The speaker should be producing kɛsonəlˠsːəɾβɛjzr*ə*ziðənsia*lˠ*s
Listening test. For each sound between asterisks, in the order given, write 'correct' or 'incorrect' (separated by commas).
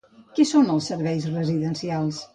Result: correct, correct